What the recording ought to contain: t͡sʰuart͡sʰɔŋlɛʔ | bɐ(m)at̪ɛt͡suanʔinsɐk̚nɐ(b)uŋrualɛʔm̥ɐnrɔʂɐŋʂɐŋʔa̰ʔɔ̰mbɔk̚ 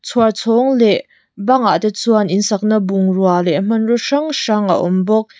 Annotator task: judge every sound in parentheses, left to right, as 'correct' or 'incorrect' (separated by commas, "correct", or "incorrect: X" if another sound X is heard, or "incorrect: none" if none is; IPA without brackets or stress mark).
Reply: incorrect: ŋ, correct